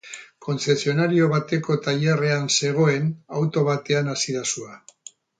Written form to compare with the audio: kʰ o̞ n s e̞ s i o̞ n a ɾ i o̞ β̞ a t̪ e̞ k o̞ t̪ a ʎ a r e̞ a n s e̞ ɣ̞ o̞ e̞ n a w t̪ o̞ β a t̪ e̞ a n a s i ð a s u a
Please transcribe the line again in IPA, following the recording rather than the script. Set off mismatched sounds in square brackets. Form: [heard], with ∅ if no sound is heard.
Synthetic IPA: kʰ o̞ n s e̞ s i o̞ n a ɾ i o̞ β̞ a t̪ e̞ k o̞ t̪ a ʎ a r e̞ a n s e̞ ɣ̞ o̞ e̞ n a w t̪ o̞ β a t̪ e̞ a n a s i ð a s u a